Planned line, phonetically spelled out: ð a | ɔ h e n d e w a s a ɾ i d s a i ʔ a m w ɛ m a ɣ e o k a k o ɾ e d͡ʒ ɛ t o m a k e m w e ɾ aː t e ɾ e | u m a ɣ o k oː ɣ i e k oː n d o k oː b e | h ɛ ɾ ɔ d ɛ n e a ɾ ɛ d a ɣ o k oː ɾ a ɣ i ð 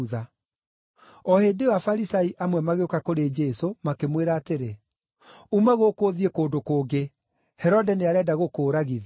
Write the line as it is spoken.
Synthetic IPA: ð a | ɔ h e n d e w a f a ɾ i s a i ʔ a m w ɛ m a ɣ e o k a k o ɾ e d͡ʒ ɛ s o m a k e m w e ɾ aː t e ɾ e | u m a ɣ o k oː ð i e k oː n d o k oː ɡ e | h ɛ ɾ ɔ d ɛ n e a ɾ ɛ d a ɣ o k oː ɾ a ɣ i ð